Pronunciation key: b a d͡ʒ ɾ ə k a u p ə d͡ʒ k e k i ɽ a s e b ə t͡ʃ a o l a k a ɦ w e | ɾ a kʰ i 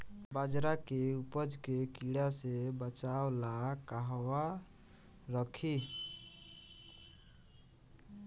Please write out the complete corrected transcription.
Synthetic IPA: b a d͡ʒ ɾ a k e u p ə d͡ʒ k e k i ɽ a s e b ə t͡ʃ a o l a k a ɦ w a | ɾ ə kʰ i